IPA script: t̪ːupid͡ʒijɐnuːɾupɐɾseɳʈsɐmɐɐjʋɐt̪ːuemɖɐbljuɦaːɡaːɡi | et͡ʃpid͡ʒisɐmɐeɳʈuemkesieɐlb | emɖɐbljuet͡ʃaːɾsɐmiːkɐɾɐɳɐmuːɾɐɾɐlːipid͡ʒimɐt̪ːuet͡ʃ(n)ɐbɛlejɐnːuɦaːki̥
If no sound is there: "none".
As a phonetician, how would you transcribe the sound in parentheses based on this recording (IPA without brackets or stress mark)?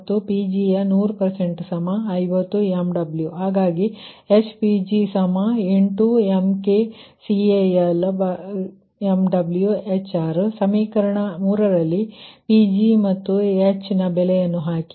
n